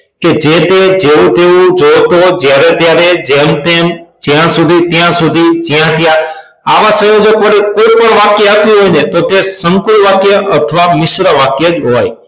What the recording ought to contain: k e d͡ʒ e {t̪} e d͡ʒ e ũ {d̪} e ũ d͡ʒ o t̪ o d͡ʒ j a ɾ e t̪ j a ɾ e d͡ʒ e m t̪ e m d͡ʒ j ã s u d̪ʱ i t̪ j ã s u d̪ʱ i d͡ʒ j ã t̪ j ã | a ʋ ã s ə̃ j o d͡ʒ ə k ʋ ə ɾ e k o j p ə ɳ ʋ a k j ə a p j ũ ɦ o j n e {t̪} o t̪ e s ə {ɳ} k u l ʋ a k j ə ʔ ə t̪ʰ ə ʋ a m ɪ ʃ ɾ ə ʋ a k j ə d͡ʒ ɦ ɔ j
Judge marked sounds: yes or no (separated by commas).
yes, no, yes, no